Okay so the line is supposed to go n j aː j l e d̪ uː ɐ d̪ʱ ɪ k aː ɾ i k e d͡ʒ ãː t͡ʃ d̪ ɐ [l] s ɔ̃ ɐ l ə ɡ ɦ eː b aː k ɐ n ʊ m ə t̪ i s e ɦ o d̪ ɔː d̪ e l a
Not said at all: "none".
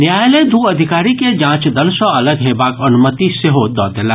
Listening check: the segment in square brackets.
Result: l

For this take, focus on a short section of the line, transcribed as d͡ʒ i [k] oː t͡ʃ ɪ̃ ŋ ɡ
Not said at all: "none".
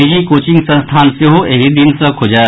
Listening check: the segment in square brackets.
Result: k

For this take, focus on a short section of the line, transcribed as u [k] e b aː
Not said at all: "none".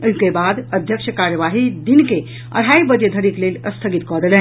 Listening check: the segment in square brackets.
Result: k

